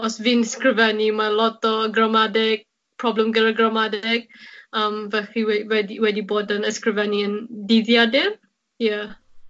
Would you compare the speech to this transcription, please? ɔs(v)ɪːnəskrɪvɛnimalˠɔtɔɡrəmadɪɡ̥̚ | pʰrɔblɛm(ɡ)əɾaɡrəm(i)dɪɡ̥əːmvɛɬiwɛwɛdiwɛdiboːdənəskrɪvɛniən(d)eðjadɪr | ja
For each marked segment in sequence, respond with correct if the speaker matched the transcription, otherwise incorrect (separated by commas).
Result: correct, correct, incorrect, correct